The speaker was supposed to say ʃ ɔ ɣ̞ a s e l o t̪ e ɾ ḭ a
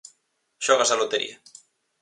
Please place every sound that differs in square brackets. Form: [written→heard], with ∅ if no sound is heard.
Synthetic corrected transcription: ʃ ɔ ɣ̞ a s [e→a] l o t̪ e ɾ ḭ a